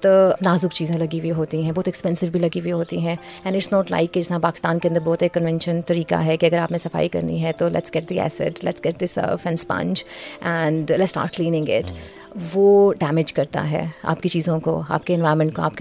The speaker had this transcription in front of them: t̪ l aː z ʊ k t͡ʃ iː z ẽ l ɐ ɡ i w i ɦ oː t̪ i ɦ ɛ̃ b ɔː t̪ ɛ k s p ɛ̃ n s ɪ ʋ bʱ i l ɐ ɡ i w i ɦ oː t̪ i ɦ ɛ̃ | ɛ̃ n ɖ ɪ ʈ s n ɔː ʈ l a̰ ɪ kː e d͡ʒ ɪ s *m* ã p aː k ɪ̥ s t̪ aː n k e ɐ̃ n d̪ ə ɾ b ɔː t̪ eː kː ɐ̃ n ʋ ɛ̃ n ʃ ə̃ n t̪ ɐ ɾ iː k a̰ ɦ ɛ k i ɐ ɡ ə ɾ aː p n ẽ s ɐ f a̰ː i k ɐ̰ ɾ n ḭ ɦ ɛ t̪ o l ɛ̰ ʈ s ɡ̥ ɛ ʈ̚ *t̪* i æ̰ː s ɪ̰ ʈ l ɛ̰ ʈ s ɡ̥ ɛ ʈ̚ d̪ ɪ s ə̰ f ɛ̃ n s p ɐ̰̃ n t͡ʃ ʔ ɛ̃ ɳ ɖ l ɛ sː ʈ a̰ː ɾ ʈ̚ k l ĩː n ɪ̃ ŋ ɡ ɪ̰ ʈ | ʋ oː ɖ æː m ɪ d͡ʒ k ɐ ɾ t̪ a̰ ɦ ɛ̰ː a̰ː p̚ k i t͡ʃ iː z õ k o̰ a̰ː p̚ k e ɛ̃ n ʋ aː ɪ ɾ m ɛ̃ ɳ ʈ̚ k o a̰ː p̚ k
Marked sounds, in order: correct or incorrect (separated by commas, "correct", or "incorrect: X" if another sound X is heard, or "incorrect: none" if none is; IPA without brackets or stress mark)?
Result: incorrect: n, incorrect: d̪